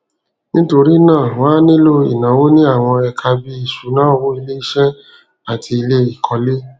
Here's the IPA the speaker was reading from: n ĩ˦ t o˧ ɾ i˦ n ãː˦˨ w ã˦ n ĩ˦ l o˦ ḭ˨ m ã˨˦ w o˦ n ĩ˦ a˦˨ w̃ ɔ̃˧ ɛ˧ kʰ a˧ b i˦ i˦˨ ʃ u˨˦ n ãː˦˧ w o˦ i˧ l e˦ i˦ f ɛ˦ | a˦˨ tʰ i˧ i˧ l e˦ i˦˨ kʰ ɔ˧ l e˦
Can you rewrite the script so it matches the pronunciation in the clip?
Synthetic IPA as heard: n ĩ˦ t o˧ ɾ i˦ n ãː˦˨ w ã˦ n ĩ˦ l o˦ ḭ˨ n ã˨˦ w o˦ n ĩ˦ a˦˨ w̃ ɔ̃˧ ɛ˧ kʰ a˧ b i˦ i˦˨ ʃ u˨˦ n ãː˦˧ w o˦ i˧ l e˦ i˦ ʃ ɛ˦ | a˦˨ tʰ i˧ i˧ l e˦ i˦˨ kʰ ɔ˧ l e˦